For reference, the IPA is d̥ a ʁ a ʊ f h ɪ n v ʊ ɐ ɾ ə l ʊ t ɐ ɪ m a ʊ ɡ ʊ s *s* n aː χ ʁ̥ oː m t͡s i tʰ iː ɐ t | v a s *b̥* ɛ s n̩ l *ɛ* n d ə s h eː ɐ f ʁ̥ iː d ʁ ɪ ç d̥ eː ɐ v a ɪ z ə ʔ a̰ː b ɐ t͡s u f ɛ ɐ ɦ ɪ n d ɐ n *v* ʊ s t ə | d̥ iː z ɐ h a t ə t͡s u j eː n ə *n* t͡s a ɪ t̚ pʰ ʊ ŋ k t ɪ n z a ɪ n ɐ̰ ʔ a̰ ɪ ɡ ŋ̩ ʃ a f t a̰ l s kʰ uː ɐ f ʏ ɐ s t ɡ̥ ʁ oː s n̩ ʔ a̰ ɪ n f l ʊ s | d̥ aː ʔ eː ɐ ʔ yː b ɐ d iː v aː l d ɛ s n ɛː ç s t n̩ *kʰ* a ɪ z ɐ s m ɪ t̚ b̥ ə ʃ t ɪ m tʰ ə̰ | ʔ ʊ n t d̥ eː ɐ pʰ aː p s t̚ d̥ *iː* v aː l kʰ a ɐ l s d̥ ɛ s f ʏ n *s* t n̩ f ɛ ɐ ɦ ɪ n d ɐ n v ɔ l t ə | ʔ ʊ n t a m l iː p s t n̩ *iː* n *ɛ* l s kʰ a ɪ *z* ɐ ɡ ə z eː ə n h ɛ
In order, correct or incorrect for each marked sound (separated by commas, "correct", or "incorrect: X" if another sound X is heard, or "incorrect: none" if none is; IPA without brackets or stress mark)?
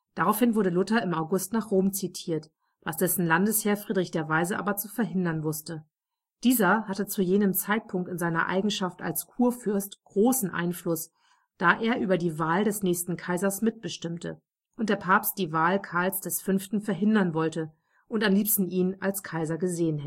incorrect: t, incorrect: d̥, incorrect: a, correct, incorrect: m, correct, correct, incorrect: f, correct, incorrect: a, correct